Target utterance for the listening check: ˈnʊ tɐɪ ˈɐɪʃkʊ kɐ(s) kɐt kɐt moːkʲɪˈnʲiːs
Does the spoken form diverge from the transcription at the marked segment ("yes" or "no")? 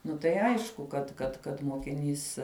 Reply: yes